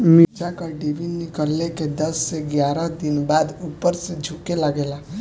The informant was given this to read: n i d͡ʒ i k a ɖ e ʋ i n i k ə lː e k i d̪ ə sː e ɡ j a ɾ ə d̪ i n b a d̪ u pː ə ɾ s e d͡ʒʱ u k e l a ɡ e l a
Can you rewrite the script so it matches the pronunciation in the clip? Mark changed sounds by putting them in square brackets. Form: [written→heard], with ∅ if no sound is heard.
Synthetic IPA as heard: [n→m] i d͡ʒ [i→a] k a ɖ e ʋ i n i k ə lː e k [i→e] d̪ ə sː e ɡ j a ɾ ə d̪ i n b a d̪ u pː ə ɾ s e d͡ʒʱ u k e l a ɡ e l a

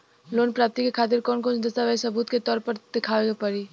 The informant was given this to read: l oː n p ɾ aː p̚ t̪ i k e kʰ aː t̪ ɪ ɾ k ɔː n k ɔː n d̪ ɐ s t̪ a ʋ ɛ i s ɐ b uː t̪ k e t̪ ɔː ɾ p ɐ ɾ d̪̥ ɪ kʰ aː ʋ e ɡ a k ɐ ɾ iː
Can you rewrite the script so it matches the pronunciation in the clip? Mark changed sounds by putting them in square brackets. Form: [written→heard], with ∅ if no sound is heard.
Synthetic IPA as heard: l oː n p ɾ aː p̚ t̪ i k e kʰ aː t̪ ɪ ɾ k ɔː n k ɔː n d̪ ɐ s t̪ a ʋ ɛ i s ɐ b uː t̪ k e t̪ ɔː ɾ p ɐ ɾ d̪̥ ɪ kʰ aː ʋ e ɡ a [k→p] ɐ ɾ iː

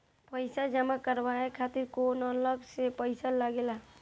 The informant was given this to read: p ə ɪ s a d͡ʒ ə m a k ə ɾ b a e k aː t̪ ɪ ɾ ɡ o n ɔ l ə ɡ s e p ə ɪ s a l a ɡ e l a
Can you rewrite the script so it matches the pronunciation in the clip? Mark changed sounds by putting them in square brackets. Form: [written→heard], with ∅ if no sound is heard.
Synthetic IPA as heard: p ə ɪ s a d͡ʒ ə m a k ə ɾ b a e [k→kʰ] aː t̪ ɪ ɾ [ɡ→k] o n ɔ l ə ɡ s e p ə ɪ s a l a ɡ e l a

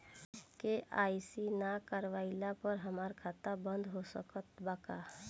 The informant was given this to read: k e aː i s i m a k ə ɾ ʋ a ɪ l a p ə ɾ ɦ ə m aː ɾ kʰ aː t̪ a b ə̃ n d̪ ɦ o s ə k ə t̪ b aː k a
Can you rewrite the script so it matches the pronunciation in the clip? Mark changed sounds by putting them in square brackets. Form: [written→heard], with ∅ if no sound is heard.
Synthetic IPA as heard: k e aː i s i [m→n] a k ə ɾ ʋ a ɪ l a p ə ɾ ɦ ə m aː ɾ kʰ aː t̪ a b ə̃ n d̪ ɦ o s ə k ə t̪ b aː k a

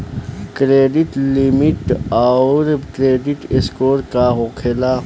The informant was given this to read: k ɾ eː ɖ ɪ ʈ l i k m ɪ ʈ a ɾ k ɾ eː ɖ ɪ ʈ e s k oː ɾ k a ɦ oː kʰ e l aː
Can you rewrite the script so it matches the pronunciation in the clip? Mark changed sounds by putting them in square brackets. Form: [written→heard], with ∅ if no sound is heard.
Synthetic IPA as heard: k ɾ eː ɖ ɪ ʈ l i [k→∅] m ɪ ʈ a ɾ k ɾ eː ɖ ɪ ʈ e s k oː ɾ k a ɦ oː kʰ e l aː

